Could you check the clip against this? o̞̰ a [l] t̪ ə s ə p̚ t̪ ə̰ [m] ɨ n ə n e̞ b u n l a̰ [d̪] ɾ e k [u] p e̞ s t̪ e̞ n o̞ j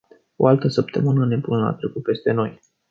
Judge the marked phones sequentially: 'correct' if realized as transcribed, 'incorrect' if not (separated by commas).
correct, correct, incorrect, correct